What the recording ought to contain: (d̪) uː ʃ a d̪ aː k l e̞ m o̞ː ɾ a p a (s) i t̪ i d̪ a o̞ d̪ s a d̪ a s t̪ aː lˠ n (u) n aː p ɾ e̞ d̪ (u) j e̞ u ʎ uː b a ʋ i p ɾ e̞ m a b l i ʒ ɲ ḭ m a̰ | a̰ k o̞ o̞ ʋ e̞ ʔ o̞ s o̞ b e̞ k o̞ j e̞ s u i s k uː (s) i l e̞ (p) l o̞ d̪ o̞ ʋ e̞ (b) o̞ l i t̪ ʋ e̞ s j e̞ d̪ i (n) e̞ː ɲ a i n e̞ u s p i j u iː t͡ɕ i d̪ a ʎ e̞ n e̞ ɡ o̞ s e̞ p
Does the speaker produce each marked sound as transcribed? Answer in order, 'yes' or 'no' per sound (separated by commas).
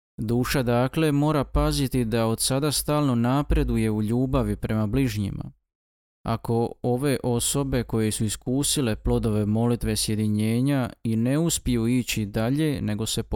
yes, no, no, yes, yes, yes, no, no